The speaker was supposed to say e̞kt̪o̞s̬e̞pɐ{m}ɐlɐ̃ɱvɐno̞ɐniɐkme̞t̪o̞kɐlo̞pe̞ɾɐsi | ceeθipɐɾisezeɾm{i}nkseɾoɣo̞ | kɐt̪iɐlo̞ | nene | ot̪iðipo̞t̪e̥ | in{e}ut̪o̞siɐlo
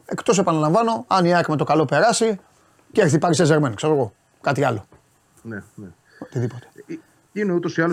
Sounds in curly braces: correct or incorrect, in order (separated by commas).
incorrect, incorrect, correct